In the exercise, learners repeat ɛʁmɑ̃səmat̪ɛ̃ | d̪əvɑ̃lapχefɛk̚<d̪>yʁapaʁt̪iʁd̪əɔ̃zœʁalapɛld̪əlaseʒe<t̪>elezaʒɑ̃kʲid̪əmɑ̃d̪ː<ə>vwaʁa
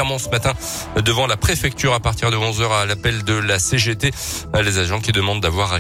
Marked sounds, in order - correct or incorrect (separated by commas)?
incorrect, correct, incorrect